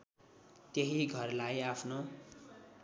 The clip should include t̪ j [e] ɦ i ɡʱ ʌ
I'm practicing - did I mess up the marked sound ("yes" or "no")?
no